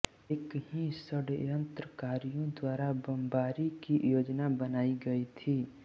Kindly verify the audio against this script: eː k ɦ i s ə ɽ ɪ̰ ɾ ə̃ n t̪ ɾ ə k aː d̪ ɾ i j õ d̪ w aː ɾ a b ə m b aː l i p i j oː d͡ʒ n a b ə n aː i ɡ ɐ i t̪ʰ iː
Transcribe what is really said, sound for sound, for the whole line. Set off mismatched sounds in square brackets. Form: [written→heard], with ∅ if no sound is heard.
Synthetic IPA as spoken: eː k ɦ i s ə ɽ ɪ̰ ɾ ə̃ n t̪ ɾ ə k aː [d̪→∅] ɾ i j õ d̪ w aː ɾ a b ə m b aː [l→ɾ] i [p→k] i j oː d͡ʒ n a b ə n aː i ɡ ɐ i t̪ʰ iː